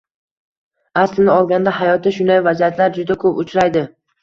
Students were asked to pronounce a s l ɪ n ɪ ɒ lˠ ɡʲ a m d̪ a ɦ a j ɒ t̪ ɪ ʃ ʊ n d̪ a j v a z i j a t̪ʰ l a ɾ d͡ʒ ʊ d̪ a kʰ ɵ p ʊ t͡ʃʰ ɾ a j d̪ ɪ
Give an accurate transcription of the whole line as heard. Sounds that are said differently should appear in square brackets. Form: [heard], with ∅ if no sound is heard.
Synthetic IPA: a s l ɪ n ɪ ɒ lˠ ɡʲ a [n] d̪ a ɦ a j ɒ t̪ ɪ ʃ ʊ n d̪ a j v a z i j a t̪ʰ l a ɾ d͡ʒ ʊ d̪ a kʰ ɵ p ʊ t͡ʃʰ ɾ a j d̪ ɪ